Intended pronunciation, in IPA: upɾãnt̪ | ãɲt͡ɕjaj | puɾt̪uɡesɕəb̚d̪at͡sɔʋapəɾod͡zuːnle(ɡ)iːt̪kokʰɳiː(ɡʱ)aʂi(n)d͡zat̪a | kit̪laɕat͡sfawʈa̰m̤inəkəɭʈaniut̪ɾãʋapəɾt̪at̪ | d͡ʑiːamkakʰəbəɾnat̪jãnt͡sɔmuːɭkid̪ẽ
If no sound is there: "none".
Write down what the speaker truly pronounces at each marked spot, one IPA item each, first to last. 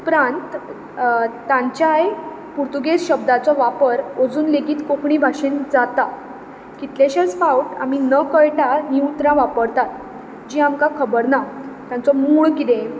ɡ, bʱ, n

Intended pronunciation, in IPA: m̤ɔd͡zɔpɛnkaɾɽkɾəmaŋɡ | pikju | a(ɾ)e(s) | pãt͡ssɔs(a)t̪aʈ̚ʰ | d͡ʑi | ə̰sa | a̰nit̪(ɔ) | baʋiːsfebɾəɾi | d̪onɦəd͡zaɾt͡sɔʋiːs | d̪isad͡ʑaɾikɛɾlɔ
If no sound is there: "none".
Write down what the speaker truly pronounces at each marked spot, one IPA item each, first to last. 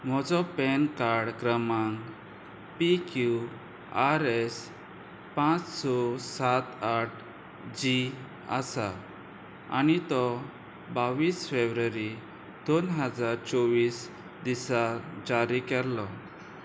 ɾ, s, a, ɔ

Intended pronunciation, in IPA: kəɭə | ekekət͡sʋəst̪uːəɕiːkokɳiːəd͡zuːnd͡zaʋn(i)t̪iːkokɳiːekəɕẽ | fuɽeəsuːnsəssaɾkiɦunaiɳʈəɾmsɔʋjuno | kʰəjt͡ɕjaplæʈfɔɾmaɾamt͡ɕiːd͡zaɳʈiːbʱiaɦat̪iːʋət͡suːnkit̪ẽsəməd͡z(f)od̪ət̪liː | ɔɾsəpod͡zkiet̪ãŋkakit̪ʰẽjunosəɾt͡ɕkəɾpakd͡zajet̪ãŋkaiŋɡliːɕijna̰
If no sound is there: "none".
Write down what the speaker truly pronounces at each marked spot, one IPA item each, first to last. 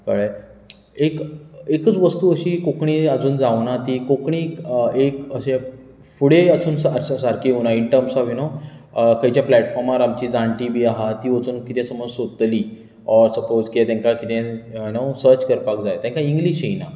a, s

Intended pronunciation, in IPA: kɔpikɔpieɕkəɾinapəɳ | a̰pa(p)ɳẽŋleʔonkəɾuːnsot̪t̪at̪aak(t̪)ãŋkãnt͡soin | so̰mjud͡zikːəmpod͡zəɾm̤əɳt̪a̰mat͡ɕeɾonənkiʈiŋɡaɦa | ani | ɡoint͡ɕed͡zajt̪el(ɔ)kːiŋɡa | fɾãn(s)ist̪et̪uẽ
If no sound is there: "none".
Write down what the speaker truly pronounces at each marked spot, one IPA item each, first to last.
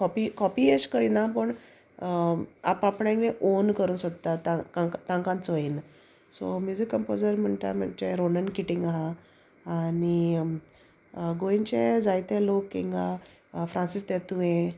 p, t̪, o, s

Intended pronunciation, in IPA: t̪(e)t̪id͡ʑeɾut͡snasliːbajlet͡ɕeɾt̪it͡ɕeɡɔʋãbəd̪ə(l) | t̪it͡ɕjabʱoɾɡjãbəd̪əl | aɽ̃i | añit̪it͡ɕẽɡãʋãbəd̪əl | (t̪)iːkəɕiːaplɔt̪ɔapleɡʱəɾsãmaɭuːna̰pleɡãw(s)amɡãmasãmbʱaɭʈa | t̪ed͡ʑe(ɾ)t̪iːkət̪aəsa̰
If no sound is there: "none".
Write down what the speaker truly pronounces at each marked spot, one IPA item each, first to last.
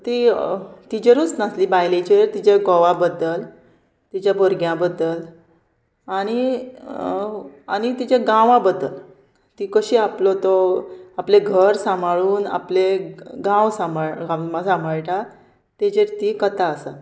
i, l, t̪, s, ɾ

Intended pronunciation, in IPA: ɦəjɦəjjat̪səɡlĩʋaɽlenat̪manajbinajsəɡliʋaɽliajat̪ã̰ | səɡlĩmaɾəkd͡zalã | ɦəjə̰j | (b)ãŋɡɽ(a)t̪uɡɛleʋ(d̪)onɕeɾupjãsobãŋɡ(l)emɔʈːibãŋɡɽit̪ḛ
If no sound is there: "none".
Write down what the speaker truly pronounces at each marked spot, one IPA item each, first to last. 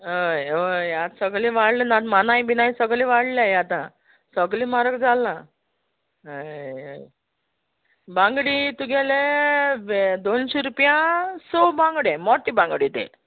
b, i, d̪, ɽ

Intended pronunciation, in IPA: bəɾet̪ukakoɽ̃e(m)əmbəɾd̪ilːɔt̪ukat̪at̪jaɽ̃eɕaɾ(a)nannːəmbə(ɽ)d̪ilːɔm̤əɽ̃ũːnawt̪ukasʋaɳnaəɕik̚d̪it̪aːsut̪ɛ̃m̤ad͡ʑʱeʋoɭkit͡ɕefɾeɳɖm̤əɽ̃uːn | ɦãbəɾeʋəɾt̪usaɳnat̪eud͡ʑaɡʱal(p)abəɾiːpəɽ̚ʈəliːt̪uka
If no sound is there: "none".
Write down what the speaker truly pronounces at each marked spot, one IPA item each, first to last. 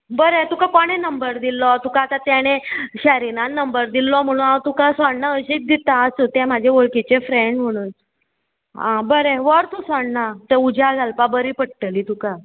n, i, ɾ, p

